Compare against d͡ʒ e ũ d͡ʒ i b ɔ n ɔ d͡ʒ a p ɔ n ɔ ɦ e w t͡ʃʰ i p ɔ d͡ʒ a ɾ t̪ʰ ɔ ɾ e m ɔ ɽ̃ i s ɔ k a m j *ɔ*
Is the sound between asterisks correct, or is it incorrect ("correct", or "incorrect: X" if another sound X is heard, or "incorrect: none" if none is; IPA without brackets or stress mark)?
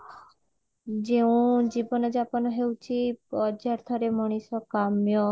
correct